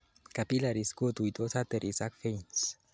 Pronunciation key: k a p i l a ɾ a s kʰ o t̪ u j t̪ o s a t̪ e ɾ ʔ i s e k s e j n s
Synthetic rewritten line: k a p i l a ɾ i s k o t̪ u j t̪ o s a t̪ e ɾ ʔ i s a k f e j n s